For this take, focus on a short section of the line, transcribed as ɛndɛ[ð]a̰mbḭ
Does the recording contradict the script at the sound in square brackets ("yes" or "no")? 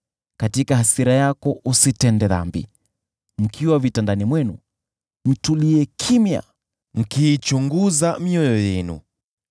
no